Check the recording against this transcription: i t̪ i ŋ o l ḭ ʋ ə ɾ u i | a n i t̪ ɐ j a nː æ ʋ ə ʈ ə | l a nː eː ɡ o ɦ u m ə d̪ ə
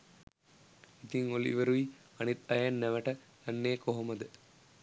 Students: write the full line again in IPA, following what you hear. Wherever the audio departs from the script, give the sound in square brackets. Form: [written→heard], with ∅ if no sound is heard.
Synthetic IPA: i t̪ i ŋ o l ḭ ʋ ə ɾ u i | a n i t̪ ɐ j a nː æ ʋ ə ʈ ə | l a nː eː [ɡ→k] o ɦ [u→o] m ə d̪ ə